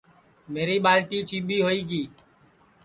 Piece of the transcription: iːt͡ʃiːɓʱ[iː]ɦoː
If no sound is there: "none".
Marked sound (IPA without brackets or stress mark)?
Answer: iː